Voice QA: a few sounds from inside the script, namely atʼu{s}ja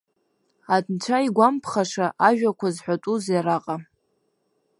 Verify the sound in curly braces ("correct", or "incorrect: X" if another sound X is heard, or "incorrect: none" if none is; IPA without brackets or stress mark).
incorrect: z